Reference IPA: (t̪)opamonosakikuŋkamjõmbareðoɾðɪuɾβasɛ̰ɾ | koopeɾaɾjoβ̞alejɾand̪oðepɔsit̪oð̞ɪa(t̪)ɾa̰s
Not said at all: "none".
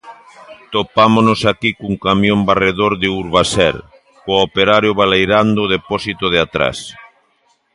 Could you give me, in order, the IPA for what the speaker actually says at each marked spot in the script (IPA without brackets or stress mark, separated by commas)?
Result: t̪, t̪